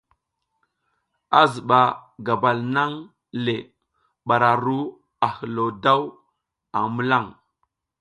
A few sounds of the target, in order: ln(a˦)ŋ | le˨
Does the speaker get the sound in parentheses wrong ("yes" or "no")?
no